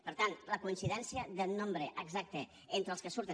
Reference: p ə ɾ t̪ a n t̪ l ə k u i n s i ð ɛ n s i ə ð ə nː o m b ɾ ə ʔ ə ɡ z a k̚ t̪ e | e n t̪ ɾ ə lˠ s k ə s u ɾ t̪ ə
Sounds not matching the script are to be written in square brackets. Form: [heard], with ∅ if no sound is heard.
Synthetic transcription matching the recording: p ə ɾ t̪ a n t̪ l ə k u i n s i ð ɛ n s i ə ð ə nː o m b ɾ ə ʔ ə ɡ z a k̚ t̪ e | e n t̪ ɾ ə lˠ s k ə s u ɾ t̪ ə